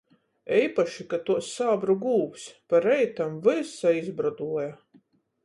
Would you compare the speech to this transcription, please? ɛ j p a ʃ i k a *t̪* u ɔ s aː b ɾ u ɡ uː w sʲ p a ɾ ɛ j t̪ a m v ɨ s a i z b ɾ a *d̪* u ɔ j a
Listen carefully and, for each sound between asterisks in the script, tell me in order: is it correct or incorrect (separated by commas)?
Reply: correct, correct